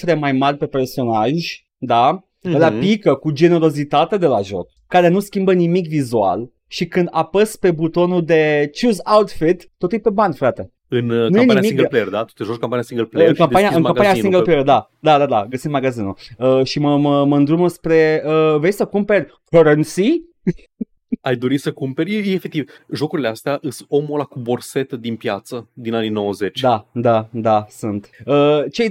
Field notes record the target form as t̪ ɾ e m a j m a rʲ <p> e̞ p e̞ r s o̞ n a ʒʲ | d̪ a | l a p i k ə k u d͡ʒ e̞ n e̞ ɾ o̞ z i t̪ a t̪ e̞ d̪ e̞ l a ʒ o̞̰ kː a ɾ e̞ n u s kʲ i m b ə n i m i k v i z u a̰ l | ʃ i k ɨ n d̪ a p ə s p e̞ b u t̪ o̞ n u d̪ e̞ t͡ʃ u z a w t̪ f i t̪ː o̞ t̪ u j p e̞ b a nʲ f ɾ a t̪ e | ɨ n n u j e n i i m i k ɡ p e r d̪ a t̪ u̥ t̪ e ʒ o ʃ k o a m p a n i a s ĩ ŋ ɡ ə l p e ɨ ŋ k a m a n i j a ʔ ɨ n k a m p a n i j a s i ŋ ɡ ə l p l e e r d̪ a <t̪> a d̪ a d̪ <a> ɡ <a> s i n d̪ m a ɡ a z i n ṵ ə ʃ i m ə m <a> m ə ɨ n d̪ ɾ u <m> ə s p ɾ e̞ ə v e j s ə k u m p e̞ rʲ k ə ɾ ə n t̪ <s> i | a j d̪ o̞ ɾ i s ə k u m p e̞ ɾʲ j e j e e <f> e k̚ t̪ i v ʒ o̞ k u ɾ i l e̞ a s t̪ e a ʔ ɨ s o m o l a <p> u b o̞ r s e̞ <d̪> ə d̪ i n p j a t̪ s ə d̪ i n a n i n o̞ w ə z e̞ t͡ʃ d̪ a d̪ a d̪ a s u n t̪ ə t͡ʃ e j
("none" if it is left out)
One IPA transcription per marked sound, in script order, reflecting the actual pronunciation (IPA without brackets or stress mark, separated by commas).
p, d̪, a, ə, ə, m, s, f, k, t̪